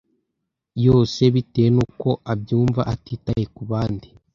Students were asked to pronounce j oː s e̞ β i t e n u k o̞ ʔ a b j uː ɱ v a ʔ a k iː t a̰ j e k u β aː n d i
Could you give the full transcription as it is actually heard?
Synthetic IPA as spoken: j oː s e̞ β i t e n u k o̞ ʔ a b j uː ɱ v a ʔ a t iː t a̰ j e k u β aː n d i